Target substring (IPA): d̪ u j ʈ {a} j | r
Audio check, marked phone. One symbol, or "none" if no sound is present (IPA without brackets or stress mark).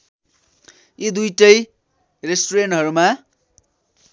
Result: ʌ